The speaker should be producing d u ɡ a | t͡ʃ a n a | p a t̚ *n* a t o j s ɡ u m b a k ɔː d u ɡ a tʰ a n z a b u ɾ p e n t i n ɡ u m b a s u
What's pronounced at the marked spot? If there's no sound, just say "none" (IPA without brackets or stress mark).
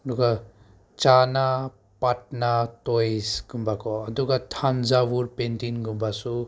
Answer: n